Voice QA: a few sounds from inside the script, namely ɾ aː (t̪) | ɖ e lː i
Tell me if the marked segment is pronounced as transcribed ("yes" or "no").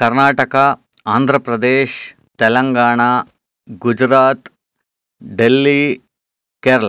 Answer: yes